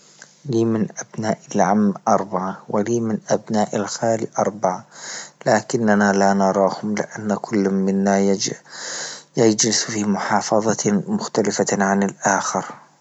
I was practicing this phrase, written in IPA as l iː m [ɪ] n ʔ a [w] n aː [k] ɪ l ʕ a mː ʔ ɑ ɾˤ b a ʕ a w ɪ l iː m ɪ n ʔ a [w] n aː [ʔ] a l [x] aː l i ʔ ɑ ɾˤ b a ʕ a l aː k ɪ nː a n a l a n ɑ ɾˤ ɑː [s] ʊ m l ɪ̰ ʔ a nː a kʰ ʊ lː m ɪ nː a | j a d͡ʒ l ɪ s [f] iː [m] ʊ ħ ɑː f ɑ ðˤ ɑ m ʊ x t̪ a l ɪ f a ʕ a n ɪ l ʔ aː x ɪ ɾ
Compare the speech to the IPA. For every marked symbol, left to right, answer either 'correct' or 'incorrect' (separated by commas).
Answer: correct, incorrect, incorrect, incorrect, correct, correct, incorrect, correct, correct